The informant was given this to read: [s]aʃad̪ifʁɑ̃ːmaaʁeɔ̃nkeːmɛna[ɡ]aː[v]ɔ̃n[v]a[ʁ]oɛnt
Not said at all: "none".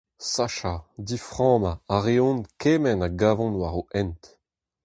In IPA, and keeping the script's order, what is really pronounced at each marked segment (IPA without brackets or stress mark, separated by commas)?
s, ɡ, v, w, ʁ